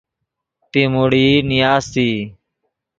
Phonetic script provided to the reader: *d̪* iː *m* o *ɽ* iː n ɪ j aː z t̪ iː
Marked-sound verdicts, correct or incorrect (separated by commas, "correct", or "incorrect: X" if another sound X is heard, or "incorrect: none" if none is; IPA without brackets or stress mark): incorrect: t̪, correct, correct